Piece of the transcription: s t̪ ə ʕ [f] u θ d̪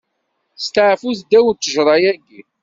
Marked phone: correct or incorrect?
correct